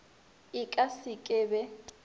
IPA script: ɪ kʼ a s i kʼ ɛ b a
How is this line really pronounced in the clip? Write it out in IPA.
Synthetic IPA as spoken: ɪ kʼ a s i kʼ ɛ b ɛ